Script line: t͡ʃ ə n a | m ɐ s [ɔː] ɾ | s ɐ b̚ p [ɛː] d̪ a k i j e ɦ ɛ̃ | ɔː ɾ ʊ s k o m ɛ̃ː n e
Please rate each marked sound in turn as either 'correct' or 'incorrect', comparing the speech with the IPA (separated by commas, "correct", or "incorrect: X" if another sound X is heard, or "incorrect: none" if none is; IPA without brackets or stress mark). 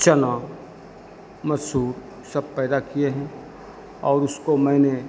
incorrect: uː, correct